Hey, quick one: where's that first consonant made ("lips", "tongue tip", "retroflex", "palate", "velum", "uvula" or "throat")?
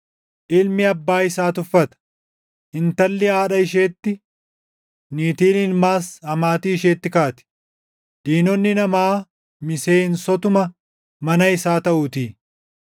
throat